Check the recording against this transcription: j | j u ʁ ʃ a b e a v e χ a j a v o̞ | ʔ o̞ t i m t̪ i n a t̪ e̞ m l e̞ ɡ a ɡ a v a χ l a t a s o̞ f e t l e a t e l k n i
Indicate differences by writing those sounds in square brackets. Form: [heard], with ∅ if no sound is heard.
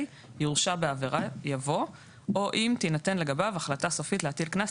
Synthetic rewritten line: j | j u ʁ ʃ a b e a v e [ʁ] a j a v o̞ | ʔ o̞ [ʔ] i m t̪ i n a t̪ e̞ [n] l e̞ ɡ a [b] a v a χ l a t a s o̞ f [i] t l e a t [i] l k n [a]